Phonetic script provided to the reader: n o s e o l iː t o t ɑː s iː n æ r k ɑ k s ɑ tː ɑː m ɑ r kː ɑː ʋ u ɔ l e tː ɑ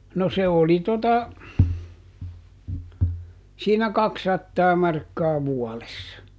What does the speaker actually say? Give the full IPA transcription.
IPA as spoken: n o s e o l i t o t ɑ s iː n æ k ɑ k s ɑ tː ɑː m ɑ r kː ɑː ʋ u ɔ l e sː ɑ